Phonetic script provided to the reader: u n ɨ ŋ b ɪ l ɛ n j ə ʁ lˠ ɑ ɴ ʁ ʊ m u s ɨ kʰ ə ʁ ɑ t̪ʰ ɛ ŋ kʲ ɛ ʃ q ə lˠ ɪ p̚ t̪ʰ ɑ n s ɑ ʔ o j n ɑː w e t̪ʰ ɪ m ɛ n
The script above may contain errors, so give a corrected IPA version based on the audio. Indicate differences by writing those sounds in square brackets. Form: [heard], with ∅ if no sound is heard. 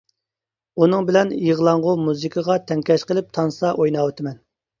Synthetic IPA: u n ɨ ŋ b ɪ l ɛ n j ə ʁ lˠ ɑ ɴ ʁ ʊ m u [z] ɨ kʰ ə ʁ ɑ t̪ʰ ɛ ŋ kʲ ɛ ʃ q ə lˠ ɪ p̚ t̪ʰ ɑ n s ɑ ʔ o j n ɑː w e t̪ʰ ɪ m ɛ n